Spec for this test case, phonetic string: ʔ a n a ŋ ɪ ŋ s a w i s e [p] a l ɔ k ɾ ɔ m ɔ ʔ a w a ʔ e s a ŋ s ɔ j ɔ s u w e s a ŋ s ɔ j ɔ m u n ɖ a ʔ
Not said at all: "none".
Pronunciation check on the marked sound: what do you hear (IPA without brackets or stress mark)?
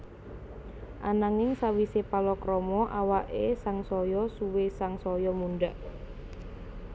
p